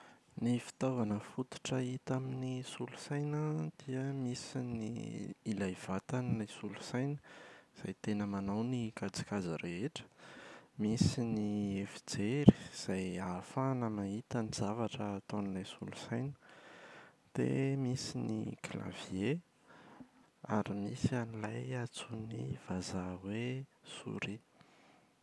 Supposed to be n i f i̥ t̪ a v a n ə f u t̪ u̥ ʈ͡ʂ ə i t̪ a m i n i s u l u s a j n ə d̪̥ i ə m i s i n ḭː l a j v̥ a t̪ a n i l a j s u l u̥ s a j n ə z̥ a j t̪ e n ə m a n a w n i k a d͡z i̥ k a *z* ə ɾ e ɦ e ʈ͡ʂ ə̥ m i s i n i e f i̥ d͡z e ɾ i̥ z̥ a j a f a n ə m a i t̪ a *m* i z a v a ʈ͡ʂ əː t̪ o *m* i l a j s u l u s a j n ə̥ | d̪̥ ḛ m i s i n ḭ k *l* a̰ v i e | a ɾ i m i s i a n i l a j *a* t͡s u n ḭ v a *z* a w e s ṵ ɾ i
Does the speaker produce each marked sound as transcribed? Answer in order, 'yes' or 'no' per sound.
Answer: yes, no, no, yes, yes, yes

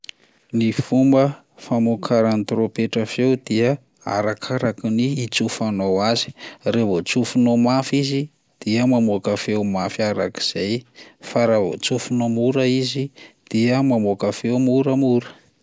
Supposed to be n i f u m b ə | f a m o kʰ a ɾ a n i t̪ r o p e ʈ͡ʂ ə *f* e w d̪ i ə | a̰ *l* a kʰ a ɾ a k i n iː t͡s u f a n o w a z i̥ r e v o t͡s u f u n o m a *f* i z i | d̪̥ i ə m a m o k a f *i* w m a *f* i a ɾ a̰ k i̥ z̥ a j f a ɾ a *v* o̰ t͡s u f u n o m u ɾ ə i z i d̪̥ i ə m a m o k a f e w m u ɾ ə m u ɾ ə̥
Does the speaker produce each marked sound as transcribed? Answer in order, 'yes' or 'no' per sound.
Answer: yes, no, yes, no, yes, yes

